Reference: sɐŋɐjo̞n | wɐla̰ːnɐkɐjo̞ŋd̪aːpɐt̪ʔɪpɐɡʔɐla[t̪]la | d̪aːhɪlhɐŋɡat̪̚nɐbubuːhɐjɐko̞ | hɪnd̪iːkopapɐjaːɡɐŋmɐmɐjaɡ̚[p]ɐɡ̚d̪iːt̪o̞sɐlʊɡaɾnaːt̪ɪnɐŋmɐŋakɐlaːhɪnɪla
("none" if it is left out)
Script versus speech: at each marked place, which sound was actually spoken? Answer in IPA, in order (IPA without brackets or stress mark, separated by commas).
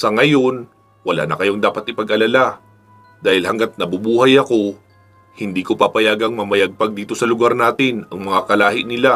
none, p